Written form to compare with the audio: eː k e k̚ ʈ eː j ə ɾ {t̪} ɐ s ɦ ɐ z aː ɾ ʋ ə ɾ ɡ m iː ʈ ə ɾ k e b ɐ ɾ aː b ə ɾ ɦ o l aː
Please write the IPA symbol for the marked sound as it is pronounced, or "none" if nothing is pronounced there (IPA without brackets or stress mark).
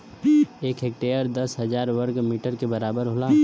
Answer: d̪